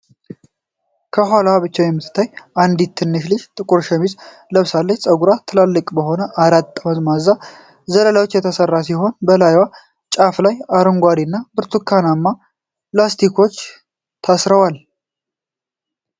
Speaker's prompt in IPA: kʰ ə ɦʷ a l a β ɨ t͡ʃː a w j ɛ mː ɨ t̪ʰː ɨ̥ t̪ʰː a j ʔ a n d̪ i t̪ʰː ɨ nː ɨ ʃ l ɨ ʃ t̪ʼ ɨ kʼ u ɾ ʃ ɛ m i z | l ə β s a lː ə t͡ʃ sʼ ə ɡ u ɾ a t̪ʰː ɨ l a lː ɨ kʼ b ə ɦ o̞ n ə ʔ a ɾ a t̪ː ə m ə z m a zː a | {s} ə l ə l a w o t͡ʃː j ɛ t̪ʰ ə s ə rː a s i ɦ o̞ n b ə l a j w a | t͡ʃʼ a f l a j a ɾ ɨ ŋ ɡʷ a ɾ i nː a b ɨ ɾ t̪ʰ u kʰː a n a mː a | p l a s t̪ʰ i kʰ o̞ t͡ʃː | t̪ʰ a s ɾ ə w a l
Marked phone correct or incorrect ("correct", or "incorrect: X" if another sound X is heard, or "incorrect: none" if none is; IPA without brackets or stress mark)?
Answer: incorrect: z